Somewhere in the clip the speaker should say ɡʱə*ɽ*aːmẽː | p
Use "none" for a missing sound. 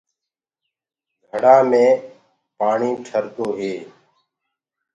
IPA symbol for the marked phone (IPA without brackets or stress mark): ɽ